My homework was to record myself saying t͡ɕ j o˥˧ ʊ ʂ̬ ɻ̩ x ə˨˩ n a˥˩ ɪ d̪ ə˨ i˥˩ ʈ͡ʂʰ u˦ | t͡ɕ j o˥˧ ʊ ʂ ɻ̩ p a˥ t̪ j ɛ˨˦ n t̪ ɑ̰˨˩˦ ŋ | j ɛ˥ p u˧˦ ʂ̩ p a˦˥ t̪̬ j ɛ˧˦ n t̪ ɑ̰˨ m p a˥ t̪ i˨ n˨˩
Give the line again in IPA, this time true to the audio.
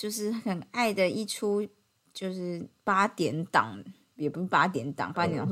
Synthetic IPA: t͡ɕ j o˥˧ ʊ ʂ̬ ɻ̩ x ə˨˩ n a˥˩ ɪ d̪ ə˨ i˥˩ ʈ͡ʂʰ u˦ | t͡ɕ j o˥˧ ʊ ʂ ɻ̩ p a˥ t̪ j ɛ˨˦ n t̪ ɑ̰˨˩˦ ŋ | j ɛ˨˩ p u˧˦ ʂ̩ p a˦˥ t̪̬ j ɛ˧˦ n t̪ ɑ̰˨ ŋ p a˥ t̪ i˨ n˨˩